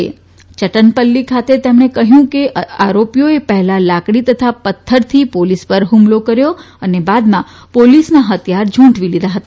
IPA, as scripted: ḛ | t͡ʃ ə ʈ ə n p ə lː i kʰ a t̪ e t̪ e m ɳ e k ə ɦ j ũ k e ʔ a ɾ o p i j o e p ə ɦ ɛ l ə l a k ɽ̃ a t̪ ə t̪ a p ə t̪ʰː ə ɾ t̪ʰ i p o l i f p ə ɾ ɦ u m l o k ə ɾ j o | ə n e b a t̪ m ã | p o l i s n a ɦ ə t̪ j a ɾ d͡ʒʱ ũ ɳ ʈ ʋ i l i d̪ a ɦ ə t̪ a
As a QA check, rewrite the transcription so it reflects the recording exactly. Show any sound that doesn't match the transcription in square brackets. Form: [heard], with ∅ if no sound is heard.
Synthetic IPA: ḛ | t͡ʃ ə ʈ ə n p ə lː i kʰ a t̪ e t̪ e m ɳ e k ə ɦ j ũ k e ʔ a ɾ o p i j o e p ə ɦ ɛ l [a] l a k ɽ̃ [i] t̪ ə [t̪ʰ] a p ə t̪ʰː ə ɾ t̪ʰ i p o l i [s] p ə ɾ ɦ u m l o k ə ɾ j o | ə n e b a [d̪] m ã | p o l i s n a ɦ ə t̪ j a ɾ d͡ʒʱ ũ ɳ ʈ ʋ i l i d̪ a ɦ ə t̪ a